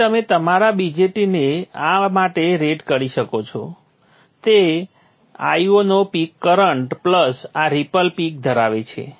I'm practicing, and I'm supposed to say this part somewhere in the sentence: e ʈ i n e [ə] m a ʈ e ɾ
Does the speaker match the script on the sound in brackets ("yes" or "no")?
no